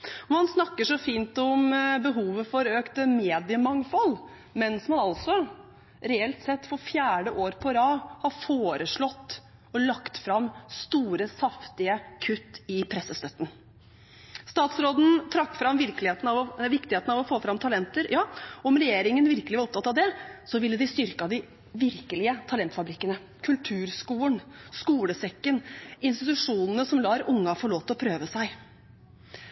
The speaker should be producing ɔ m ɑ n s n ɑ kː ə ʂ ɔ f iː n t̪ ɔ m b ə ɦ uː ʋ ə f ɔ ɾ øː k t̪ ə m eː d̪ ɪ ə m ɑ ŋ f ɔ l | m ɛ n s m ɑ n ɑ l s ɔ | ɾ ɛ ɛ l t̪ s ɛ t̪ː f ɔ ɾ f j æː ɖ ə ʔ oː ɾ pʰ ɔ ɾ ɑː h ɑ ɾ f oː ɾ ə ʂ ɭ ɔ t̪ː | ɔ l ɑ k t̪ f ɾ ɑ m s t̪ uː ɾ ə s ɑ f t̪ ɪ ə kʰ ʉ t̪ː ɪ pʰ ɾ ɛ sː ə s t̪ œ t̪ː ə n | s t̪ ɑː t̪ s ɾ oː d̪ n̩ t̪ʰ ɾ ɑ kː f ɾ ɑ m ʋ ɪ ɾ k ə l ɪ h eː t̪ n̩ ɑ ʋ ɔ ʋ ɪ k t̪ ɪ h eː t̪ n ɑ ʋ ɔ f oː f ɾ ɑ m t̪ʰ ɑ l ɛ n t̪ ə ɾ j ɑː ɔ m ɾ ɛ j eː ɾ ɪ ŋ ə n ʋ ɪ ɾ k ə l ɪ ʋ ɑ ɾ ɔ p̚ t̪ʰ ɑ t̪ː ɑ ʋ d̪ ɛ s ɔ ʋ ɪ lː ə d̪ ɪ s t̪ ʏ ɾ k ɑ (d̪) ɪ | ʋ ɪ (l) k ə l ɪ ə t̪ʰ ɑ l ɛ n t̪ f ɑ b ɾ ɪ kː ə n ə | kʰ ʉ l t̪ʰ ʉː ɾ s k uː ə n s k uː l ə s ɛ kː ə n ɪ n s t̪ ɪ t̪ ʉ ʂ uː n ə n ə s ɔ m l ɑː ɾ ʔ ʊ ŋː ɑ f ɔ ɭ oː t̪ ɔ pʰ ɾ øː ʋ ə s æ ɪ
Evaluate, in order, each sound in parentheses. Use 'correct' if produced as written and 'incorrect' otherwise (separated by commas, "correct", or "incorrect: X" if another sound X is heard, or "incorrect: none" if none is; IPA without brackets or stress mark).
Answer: correct, incorrect: ɾ